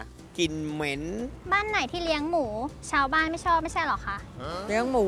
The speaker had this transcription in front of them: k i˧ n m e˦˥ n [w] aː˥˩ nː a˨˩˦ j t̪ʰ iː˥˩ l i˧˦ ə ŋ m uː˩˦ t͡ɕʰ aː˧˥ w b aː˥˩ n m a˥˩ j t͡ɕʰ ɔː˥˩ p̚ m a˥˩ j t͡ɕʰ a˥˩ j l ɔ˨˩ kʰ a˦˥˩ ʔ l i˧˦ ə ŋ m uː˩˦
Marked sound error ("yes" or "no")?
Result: yes